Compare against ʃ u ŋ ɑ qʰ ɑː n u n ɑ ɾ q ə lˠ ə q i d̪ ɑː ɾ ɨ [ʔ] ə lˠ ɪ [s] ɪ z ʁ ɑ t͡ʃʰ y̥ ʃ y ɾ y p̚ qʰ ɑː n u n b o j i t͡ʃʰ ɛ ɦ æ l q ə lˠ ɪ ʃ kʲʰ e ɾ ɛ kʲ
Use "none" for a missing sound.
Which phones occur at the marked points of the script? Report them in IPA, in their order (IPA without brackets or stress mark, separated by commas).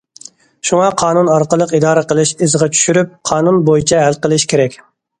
q, ʃ